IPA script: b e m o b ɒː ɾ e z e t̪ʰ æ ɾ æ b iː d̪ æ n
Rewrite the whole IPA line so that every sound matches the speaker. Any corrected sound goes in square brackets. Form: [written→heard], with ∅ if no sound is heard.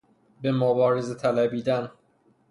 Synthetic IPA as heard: b e m o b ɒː ɾ e z e t̪ʰ æ [ɾ→l] æ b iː d̪ æ n